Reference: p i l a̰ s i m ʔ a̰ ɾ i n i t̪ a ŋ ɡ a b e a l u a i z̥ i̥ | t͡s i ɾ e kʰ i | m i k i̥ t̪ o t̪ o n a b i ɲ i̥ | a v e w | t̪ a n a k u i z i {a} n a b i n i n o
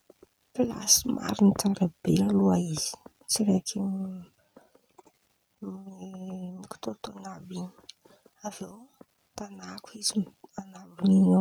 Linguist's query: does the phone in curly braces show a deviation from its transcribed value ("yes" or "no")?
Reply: no